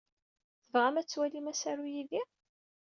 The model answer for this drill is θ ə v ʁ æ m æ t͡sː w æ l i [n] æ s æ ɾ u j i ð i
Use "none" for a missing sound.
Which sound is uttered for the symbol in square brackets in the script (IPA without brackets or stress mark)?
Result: m